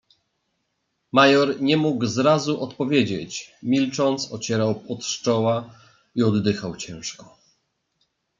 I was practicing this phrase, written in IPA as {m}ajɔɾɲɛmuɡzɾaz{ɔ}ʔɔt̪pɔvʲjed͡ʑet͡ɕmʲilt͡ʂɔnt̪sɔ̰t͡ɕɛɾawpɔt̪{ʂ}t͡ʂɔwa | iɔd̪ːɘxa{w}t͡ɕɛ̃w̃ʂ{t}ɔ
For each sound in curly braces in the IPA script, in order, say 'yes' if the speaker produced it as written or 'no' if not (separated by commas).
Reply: yes, no, yes, yes, no